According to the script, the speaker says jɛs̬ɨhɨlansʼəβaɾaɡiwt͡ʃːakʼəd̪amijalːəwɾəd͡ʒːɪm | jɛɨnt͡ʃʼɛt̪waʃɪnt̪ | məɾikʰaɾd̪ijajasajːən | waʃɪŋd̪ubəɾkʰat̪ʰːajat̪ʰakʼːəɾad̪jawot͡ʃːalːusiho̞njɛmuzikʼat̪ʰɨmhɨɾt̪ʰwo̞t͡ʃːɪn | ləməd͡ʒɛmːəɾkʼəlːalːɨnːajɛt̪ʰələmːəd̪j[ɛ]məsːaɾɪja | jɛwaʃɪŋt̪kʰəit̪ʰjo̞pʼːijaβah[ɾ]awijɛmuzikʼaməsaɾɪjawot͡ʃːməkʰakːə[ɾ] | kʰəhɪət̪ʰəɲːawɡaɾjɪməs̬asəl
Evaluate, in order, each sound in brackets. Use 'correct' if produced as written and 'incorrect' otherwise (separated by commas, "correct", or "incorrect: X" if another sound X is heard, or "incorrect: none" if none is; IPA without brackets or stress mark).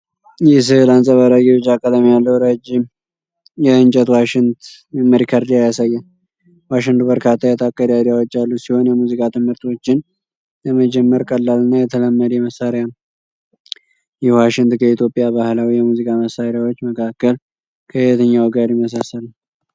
correct, incorrect: l, incorrect: l